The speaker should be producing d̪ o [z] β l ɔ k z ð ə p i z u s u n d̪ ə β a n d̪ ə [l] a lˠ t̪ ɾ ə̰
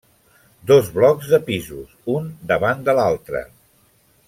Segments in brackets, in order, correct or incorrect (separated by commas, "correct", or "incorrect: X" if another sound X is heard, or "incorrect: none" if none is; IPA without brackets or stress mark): correct, correct